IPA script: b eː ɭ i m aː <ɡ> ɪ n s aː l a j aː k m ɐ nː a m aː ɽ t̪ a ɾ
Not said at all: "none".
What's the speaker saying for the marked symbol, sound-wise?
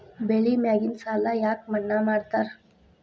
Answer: ɡ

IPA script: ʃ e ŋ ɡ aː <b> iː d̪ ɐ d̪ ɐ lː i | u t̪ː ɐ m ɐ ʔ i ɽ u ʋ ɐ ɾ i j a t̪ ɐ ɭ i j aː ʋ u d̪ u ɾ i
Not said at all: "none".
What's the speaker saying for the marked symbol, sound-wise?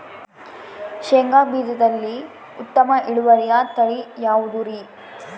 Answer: b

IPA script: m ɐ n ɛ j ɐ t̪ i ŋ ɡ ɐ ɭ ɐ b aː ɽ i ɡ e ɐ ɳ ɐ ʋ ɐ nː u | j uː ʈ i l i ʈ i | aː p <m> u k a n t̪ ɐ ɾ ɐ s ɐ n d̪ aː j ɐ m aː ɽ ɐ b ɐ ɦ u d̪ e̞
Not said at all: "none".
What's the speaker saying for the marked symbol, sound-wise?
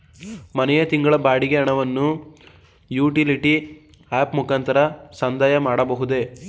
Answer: m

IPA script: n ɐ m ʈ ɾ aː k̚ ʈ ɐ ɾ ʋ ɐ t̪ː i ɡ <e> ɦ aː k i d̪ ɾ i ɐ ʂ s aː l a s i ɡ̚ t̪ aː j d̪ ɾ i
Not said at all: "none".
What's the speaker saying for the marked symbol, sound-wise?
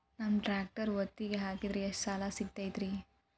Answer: e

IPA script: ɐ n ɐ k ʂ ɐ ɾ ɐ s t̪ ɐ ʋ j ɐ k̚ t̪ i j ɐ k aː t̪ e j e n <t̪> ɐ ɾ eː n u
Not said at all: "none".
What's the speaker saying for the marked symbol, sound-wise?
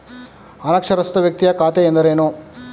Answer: d̪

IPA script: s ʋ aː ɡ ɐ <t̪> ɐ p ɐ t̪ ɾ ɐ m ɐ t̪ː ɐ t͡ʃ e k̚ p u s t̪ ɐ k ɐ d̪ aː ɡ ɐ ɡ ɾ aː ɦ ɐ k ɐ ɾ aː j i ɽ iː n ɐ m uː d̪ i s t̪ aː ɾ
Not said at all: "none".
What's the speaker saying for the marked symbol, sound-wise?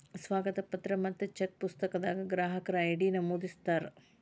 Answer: t̪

